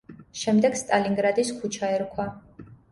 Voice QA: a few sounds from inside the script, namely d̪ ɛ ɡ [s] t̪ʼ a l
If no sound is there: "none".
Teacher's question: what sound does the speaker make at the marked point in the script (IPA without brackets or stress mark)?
s